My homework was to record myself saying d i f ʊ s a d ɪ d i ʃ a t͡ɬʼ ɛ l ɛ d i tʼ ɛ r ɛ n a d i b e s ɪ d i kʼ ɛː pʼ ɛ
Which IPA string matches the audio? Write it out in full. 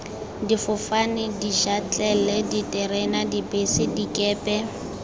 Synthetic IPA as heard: d i f ʊ f a n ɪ d i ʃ a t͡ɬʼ ɛ l ɛ d i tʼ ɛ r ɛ n a d i b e s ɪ d i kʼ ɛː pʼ ɛ